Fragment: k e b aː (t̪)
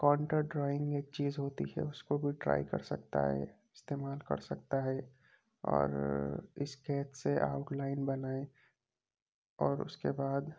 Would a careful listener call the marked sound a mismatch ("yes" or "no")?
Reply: yes